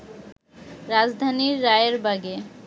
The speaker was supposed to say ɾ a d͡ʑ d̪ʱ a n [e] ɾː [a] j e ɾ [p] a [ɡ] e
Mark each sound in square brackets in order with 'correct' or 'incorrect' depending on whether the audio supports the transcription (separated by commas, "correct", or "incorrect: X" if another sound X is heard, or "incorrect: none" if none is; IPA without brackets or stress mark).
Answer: incorrect: i, correct, incorrect: b, correct